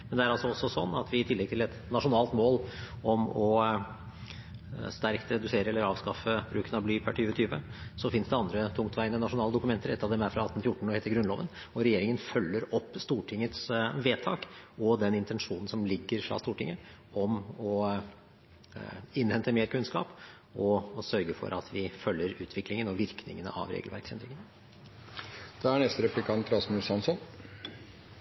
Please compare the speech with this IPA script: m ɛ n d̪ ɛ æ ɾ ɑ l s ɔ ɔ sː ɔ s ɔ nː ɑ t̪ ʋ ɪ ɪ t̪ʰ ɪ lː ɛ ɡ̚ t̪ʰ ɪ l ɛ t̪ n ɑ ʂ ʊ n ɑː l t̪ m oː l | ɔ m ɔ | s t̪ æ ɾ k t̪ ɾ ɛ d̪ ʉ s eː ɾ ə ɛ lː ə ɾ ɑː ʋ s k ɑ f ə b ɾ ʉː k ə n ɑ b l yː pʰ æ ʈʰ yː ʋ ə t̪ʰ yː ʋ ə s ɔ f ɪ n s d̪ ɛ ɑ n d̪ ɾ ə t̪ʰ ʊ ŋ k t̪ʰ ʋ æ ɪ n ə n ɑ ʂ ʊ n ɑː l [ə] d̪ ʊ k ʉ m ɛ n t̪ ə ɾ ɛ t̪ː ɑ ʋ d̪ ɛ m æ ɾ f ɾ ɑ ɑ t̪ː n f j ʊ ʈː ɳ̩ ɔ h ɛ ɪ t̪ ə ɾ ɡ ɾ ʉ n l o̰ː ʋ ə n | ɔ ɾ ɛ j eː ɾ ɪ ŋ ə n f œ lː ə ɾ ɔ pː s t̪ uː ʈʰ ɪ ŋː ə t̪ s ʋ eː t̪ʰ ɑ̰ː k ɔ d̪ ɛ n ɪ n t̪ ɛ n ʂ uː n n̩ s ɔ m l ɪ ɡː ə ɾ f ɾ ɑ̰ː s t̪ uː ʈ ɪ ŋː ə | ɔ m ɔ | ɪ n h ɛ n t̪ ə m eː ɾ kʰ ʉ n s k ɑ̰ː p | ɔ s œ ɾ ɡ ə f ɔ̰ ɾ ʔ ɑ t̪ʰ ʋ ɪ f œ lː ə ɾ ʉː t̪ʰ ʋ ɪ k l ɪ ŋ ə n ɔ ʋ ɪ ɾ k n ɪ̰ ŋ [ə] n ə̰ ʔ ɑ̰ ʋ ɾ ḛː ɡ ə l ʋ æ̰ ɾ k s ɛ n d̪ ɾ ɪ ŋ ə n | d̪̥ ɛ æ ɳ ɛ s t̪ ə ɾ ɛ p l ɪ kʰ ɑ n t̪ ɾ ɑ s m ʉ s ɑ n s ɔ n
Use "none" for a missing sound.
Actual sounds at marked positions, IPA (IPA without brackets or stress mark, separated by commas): ə, ə